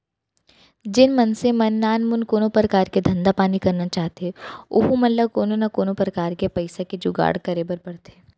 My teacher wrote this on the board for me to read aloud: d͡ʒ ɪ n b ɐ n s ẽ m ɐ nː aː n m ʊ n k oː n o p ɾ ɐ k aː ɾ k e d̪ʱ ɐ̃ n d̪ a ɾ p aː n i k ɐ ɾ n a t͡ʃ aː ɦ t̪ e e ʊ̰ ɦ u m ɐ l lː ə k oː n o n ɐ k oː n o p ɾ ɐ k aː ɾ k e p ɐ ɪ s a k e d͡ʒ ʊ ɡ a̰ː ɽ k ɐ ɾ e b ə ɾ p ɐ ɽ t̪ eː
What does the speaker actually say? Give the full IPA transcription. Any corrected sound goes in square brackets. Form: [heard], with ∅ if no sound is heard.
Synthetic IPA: d͡ʒ ɪ n [m] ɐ n s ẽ m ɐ nː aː n m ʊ n k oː n o p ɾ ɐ k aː ɾ k e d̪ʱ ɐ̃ n d̪ a [∅] p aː n i k ɐ ɾ n a t͡ʃ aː ɦ t̪ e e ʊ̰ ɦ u m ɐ l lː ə k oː n o n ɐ k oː n o p ɾ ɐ k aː ɾ k e p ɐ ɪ s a k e d͡ʒ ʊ ɡ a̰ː ɽ k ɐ ɾ e b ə ɾ p ɐ ɽ t̪ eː